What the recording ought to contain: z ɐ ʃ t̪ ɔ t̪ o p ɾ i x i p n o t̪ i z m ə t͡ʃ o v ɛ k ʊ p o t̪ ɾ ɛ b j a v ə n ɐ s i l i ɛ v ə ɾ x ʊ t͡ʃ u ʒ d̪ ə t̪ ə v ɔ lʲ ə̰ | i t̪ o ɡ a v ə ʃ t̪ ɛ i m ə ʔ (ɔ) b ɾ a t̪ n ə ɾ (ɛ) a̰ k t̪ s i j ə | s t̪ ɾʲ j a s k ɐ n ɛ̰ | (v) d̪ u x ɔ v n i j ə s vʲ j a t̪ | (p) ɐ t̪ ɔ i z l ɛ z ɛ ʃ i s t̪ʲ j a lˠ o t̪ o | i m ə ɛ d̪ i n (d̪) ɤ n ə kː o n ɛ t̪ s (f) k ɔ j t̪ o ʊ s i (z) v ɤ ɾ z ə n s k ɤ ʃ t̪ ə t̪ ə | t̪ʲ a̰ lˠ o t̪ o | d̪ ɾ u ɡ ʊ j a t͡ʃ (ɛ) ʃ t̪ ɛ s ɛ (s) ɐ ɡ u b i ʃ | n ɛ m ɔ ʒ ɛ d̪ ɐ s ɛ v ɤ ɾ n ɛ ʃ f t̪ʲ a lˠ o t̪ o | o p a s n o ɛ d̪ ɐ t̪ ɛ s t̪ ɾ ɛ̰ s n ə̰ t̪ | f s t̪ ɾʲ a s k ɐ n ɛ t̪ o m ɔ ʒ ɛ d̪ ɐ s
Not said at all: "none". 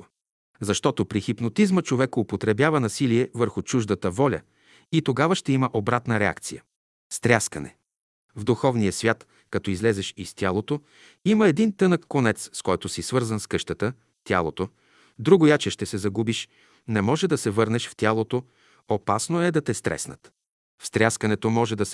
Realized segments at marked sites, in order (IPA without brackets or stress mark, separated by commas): o, ɛ, v, k, t̪, s, s, ɛ, z